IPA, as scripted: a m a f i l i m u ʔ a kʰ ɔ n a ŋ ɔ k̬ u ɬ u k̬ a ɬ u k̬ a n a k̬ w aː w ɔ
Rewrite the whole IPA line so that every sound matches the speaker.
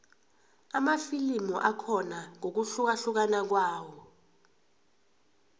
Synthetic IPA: a m a f i l i m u ʔ a kʰ ɔ n a ŋ o k̬ u ɬ u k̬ a ɬ u k̬ a n a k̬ w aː w ɔ